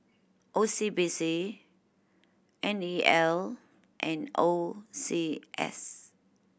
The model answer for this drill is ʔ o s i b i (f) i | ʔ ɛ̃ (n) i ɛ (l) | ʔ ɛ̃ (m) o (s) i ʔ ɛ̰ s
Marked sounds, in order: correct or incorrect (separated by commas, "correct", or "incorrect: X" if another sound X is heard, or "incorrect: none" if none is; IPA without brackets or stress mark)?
incorrect: s, correct, correct, incorrect: n, correct